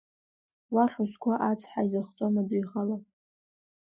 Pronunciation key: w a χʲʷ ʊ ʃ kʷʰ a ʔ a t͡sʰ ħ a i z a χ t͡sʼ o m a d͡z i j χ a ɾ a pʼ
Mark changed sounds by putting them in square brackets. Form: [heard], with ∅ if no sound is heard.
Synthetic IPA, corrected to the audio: w a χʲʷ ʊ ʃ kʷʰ a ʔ a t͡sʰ ħ a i z a χ t͡sʼ o m a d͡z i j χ a [l] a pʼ